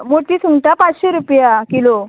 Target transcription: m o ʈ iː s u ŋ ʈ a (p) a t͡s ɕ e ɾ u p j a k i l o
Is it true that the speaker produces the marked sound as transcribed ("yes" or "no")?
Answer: yes